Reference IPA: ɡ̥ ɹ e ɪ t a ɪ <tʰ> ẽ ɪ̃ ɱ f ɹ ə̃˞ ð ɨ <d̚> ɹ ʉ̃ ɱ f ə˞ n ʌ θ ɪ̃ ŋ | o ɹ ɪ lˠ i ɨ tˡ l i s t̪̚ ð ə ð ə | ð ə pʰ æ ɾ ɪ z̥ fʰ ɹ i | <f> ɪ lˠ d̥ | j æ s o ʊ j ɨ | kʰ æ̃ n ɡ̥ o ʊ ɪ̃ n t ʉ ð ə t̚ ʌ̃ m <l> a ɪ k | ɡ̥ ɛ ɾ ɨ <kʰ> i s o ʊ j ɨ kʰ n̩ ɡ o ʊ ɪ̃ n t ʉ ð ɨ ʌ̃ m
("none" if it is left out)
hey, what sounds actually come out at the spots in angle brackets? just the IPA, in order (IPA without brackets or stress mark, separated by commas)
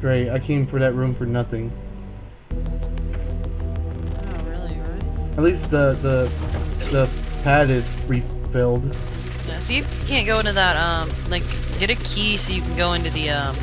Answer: kʰ, t̚, f, l, kʰ